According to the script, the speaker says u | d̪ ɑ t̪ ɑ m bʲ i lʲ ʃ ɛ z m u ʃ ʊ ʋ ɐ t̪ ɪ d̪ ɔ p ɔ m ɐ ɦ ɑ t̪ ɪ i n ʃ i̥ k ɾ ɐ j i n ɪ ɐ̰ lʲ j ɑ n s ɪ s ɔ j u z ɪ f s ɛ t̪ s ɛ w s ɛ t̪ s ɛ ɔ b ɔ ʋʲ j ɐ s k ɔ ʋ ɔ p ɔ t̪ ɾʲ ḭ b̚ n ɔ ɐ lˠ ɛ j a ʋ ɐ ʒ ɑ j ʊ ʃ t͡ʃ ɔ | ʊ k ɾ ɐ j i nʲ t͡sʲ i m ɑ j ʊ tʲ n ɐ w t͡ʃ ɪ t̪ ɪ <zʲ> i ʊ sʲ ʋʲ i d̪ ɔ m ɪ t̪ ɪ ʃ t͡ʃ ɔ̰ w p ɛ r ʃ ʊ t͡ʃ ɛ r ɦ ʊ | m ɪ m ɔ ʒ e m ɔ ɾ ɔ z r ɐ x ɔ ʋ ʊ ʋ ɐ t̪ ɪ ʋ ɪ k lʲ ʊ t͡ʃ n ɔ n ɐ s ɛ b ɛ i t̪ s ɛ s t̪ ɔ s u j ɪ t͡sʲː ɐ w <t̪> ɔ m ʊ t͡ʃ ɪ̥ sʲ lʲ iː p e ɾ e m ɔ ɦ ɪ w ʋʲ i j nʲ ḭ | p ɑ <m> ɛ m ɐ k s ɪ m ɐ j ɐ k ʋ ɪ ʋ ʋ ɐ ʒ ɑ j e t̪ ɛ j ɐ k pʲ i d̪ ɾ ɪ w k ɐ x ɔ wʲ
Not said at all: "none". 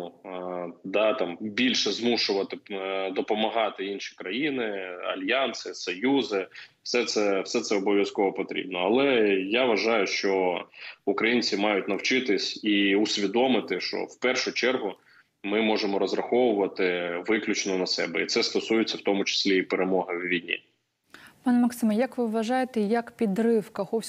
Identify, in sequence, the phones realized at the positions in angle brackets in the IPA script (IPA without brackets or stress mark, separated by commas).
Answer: sʲ, t̪, n